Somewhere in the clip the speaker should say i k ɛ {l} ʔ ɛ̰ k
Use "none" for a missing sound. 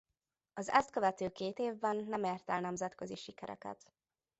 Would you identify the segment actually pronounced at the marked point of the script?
ɾ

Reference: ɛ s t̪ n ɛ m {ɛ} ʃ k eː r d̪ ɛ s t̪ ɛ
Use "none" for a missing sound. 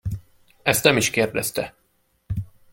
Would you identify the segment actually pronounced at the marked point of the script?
i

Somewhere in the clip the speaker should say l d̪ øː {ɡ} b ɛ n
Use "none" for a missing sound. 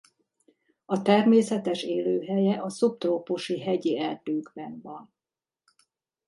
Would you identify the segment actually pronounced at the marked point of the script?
ɡ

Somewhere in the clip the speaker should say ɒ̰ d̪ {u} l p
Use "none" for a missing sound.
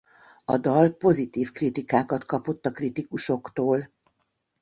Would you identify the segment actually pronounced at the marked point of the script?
ɒ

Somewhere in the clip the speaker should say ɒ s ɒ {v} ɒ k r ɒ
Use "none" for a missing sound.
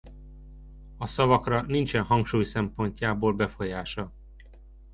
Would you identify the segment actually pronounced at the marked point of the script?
v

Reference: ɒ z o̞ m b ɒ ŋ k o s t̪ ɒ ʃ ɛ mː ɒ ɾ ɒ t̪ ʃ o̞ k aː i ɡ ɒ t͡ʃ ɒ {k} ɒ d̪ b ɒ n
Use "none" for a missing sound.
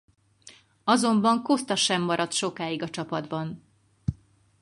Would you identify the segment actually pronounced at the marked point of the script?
p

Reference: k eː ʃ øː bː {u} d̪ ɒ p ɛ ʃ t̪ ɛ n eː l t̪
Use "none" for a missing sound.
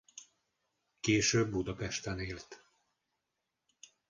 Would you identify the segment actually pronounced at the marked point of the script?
u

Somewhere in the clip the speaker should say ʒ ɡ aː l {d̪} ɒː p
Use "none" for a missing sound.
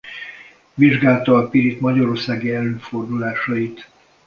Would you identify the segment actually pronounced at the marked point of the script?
t̪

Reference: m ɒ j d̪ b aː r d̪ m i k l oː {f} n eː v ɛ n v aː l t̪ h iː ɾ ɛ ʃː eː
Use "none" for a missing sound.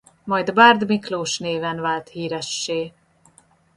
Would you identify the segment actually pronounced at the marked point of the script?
ʃ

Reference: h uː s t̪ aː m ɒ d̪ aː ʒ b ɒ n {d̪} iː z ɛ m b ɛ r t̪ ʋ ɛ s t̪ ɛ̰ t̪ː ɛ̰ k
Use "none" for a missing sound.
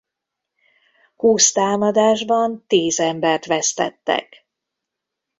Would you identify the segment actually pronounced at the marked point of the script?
t̪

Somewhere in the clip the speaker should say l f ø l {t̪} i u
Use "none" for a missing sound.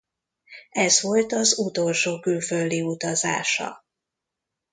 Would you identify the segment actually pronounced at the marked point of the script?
d̪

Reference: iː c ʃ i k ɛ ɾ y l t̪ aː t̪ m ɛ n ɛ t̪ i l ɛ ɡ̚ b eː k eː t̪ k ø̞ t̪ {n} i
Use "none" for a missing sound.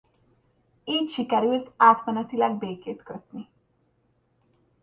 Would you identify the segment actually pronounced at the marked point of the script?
n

